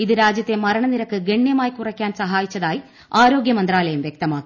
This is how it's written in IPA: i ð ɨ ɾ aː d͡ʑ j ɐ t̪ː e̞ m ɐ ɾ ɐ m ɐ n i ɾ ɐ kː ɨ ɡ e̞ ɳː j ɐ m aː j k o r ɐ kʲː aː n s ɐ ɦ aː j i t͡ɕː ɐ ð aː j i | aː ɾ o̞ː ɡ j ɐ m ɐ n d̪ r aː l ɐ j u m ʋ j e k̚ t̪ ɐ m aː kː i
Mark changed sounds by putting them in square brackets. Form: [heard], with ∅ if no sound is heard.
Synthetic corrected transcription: i ð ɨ ɾ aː d͡ʑ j ɐ t̪ː e̞ m ɐ ɾ ɐ [ɳ] ɐ n i ɾ ɐ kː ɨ ɡ e̞ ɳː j ɐ m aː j k [u] r ɐ kʲː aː n s ɐ ɦ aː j i t͡ɕː ɐ ð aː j i | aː ɾ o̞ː ɡ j ɐ m ɐ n d̪ r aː l ɐ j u m ʋ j e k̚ t̪ ɐ m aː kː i